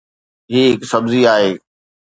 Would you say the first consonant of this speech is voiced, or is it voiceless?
voiced